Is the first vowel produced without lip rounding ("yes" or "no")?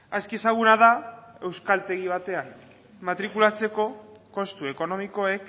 yes